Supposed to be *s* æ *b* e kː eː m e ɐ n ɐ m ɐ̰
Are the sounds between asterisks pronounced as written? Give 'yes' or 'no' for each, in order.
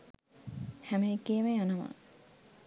no, no

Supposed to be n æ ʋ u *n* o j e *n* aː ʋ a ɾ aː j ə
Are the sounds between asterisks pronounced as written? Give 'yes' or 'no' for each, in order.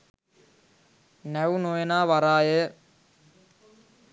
yes, yes

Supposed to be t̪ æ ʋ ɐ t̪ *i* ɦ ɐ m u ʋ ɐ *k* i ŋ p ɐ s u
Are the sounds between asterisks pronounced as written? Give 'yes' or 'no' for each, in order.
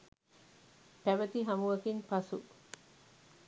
yes, yes

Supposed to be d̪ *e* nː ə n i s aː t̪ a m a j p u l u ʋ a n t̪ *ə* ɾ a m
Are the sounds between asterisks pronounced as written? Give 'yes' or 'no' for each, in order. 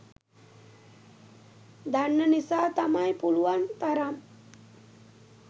no, no

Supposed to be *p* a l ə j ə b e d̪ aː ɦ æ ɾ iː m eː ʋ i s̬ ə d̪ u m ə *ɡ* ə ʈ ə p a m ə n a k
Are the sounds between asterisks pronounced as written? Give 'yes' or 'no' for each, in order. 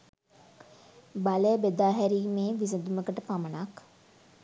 no, no

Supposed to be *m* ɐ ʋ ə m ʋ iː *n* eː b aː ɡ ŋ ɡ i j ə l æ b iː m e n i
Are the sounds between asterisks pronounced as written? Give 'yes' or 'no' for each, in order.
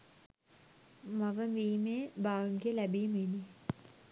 yes, no

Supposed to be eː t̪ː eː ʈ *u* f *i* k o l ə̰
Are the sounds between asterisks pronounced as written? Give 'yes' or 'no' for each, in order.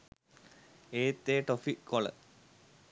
no, yes

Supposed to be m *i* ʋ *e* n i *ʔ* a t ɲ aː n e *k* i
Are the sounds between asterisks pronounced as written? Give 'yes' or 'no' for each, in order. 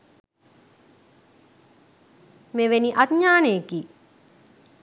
no, yes, yes, yes

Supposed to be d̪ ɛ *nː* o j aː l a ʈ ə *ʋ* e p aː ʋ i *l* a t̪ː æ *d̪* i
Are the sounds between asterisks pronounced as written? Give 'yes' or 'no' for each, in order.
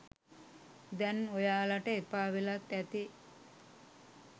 no, no, yes, no

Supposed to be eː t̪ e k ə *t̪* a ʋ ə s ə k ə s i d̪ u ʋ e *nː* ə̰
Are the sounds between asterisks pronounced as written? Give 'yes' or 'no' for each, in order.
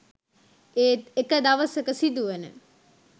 no, no

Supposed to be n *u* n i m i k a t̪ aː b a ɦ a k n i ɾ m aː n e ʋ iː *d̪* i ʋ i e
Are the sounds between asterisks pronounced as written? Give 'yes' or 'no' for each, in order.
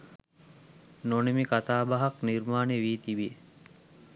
no, no

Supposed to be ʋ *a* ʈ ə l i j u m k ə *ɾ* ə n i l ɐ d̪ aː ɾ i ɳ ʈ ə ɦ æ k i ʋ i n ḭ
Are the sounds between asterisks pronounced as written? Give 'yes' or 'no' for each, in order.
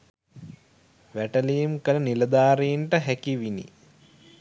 no, no

